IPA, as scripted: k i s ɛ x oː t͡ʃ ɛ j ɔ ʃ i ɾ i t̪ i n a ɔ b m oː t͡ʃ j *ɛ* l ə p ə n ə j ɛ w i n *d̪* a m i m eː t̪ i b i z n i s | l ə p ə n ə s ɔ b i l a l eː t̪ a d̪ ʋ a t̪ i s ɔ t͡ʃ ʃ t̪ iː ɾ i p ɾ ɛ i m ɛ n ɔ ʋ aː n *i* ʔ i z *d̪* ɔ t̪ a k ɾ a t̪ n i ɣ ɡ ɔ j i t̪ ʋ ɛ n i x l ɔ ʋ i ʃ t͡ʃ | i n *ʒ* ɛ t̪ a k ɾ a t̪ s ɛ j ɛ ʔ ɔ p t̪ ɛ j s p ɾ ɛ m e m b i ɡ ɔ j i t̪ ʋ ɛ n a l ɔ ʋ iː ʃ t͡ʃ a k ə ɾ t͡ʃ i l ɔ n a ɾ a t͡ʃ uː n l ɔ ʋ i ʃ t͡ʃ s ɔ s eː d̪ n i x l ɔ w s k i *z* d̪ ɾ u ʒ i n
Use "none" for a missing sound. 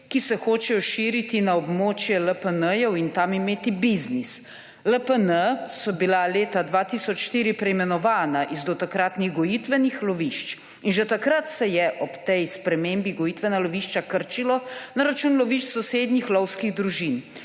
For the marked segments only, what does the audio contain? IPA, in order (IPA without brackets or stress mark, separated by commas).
ɛ, t̪, a, d̪, ʒ, ɣ